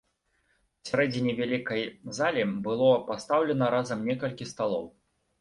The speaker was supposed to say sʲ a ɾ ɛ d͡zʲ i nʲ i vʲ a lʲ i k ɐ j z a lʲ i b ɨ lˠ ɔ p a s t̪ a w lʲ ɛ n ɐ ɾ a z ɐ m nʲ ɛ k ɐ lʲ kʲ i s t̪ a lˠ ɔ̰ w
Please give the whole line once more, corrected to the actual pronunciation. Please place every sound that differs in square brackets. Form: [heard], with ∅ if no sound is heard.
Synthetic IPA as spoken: sʲ a ɾ ɛ d͡zʲ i nʲ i vʲ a lʲ i k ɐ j z a lʲ i b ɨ lˠ ɔ p a s t̪ a w lʲ ɛ n ɐ ɾ a z ɐ m nʲ ɛ k ɐ lʲ kʲ i s t̪ a lˠ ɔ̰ w